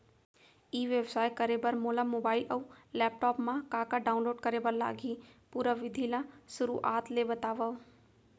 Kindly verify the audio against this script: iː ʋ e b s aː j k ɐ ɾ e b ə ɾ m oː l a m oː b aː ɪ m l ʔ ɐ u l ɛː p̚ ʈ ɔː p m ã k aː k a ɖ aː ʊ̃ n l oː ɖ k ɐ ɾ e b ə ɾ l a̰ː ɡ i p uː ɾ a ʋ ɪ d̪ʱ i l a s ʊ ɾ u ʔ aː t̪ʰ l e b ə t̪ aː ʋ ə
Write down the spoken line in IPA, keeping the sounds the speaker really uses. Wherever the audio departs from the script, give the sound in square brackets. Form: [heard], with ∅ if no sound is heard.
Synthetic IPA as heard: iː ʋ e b s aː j k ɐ ɾ e b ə ɾ m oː l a m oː b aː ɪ [∅] l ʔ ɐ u l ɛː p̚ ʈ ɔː p m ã k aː k a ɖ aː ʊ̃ n l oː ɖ k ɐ ɾ e b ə ɾ l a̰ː ɡ i p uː ɾ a ʋ ɪ d̪ʱ i l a s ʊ ɾ u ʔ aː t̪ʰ l e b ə t̪ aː ʋ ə